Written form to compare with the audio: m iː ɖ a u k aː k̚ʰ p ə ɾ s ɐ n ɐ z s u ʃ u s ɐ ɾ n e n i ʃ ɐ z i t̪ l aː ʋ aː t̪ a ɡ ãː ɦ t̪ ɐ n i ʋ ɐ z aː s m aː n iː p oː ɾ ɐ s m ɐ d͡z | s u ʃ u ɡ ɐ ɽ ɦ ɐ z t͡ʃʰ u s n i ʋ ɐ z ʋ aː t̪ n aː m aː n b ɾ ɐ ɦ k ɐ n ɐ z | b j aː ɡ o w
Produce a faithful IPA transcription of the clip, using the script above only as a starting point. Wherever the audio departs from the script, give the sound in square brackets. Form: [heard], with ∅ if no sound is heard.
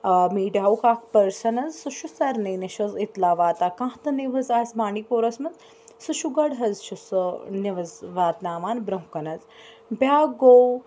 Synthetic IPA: m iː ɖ a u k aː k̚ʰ p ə ɾ s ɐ n ɐ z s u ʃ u s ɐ ɾ n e n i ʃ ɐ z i t̪ l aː ʋ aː t̪ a [k] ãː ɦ t̪ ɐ n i ʋ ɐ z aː s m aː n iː p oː ɾ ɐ s m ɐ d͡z | s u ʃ u ɡ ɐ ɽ ɦ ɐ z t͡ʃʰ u s n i ʋ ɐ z ʋ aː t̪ n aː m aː n b ɾ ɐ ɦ k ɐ n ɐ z | b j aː ɡ o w